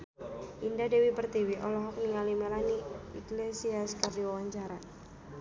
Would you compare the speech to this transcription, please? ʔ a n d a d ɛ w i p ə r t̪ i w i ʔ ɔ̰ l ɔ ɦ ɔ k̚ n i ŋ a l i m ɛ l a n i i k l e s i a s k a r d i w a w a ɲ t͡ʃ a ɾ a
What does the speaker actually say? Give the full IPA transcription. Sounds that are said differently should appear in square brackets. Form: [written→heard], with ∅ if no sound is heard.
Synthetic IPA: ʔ [a→i] n d a d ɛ w i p ə r t̪ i w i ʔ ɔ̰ l ɔ ɦ ɔ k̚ n i ŋ a l i m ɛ l a n i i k l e s i a s k a r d i w a w a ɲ t͡ʃ a ɾ a